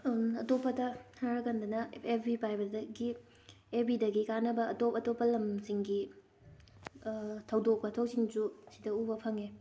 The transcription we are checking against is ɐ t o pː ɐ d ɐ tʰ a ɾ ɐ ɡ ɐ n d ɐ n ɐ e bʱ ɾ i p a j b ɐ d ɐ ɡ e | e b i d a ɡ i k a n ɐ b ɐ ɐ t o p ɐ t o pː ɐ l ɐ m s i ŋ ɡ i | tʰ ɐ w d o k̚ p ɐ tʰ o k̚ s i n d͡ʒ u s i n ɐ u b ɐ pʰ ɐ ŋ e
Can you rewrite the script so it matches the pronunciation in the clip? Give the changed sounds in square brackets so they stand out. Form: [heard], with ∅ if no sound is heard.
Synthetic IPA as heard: ɐ t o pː ɐ d ɐ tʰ a ɾ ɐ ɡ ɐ n d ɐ n ɐ e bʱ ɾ i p a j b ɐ d ɐ ɡ [i] | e b i d [ɐ] ɡ i k a n ɐ b ɐ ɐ t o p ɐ t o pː ɐ l ɐ m s i ŋ ɡ i | tʰ ɐ w d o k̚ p ɐ tʰ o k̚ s i [ŋ] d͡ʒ u s i [d] ɐ u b ɐ pʰ ɐ ŋ e